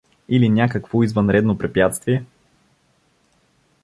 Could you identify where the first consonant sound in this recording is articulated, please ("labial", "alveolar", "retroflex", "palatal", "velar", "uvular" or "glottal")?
alveolar